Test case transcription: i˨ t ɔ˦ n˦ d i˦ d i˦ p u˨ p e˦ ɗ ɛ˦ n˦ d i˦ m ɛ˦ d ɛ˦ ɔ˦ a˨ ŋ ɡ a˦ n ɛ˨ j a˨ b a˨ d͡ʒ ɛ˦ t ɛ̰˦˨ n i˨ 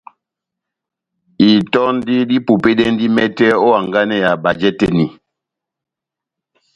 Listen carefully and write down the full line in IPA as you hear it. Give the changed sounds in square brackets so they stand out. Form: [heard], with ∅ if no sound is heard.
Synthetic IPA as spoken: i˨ t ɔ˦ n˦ d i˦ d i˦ p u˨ p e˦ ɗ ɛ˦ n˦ d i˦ m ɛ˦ [t] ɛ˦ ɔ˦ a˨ ŋ ɡ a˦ n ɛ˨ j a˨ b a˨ d͡ʒ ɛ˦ t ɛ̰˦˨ n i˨

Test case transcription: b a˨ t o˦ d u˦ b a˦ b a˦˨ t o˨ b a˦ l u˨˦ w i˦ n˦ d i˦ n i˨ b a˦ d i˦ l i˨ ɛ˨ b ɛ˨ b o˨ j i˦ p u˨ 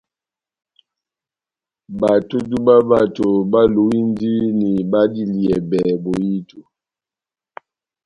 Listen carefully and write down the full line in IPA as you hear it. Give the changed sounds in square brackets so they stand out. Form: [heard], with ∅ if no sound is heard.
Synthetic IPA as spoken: b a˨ t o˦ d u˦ b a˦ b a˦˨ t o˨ b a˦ l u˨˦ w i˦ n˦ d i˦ n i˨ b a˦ d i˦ l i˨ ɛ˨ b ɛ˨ b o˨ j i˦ [t] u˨

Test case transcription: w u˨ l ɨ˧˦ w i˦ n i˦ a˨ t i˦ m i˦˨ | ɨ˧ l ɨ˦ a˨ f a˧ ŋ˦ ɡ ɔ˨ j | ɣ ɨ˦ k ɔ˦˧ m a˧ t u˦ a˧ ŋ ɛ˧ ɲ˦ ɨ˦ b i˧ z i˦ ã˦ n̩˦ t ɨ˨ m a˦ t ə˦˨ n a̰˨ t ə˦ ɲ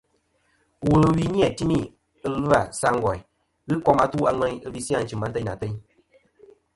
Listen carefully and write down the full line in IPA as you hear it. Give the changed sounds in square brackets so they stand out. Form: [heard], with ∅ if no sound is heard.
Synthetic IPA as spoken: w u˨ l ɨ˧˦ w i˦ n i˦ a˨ t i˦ m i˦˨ | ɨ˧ l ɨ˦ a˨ [s] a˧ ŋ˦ ɡ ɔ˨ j | ɣ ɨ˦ k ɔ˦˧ m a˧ t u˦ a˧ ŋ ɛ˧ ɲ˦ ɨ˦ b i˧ [s] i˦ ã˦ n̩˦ [t͡ʃ] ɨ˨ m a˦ t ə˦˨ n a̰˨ t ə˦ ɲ

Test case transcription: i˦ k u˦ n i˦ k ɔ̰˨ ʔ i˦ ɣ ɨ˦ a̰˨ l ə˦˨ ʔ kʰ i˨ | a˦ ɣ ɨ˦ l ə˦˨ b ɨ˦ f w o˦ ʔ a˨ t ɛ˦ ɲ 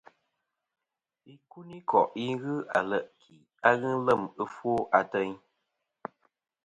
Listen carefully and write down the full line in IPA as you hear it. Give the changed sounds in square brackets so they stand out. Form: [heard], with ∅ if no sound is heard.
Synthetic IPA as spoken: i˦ k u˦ n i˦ k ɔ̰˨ ʔ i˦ ɣ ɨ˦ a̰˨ l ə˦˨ ʔ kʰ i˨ | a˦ ɣ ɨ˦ l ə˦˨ [m] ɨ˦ f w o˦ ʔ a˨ t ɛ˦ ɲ

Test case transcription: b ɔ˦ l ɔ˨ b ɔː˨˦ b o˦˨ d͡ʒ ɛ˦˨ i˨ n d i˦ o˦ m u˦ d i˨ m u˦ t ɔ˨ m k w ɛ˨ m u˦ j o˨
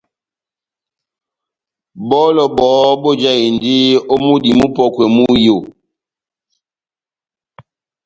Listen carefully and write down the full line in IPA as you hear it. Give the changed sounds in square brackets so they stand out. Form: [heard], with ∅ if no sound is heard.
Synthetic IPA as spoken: b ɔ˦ l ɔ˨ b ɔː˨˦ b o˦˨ d͡ʒ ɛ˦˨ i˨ n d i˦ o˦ m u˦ d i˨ m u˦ [p] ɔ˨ [∅] k w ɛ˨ m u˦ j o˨

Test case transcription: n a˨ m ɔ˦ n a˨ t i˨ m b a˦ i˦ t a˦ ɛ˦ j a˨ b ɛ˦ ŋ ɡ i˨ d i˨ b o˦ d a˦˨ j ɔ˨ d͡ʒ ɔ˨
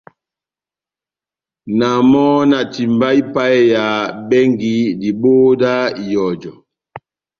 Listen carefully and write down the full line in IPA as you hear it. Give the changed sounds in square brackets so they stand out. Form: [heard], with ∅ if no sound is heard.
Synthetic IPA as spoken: n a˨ m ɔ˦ n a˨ t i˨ m b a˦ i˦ [p] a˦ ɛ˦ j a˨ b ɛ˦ ŋ ɡ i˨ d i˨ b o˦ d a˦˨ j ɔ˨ d͡ʒ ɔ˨

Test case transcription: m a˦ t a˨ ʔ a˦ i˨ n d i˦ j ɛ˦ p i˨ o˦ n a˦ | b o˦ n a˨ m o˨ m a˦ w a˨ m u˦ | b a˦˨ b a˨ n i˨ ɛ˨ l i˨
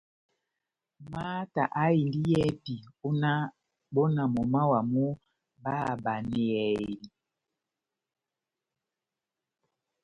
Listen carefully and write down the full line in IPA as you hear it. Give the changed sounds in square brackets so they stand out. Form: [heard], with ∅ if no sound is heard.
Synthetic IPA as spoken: m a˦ t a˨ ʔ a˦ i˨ n d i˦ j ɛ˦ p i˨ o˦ n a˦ | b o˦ n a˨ m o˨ m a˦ w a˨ m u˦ | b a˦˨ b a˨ n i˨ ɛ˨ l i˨

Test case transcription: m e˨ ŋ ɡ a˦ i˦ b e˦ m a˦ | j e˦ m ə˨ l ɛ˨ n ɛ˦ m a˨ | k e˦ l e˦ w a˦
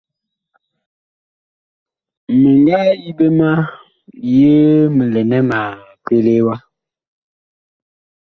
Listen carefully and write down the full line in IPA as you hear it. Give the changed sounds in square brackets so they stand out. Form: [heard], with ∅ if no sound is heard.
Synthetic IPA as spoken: m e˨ ŋ ɡ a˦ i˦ b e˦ m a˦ | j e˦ m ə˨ l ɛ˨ n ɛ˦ m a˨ | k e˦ l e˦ w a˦

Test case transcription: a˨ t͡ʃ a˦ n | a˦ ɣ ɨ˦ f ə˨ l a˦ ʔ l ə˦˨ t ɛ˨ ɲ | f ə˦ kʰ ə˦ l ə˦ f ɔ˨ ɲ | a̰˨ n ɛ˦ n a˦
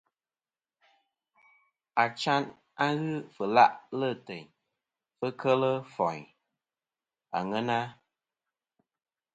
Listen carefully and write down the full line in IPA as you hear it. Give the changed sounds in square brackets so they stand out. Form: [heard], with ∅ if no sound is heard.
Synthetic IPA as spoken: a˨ t͡ʃ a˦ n | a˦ ɣ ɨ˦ f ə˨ l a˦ ʔ l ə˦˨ t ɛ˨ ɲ | f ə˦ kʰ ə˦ l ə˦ f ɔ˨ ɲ | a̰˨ [ŋ] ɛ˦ n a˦

